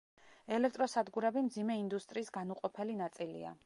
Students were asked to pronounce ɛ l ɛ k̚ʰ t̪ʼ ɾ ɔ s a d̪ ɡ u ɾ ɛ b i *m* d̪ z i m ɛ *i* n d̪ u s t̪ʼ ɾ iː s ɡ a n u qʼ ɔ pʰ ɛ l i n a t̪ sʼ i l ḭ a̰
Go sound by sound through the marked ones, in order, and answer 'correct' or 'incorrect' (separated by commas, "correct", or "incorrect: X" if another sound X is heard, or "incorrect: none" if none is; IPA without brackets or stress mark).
correct, correct